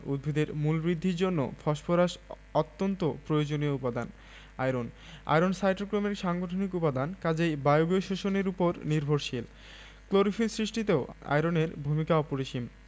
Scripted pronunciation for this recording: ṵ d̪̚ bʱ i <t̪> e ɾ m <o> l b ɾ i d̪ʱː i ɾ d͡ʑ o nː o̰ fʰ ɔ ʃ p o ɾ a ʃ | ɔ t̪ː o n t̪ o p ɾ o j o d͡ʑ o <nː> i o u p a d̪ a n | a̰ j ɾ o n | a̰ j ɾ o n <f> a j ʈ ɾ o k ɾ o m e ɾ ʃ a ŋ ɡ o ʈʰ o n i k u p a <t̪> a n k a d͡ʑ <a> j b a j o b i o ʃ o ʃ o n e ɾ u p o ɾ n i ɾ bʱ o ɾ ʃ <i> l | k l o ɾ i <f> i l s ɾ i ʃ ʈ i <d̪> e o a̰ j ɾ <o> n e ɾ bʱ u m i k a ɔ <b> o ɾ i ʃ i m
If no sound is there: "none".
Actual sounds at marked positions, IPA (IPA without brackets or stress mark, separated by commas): d̪, u, n, s, d̪, e, i, f, t̪, o, p